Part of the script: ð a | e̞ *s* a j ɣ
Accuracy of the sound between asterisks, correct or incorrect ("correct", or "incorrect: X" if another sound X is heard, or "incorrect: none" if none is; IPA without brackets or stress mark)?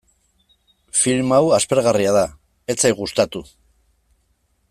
incorrect: t͡s